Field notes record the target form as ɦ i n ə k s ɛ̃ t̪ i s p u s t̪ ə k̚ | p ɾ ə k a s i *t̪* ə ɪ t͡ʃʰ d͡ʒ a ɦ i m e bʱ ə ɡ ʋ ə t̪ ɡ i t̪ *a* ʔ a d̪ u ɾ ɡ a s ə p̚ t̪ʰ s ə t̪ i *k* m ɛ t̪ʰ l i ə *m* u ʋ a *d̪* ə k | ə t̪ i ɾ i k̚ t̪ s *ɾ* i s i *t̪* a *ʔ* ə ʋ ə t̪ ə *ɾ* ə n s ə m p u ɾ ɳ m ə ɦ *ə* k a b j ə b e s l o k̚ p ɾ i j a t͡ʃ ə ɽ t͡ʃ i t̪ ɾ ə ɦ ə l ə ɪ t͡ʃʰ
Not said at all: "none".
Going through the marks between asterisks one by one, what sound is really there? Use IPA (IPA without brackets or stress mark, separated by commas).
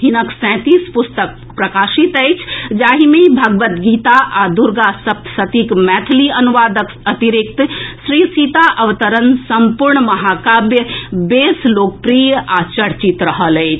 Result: t̪, a, k, n, d̪, ɾ, t̪, ʔ, ɾ, a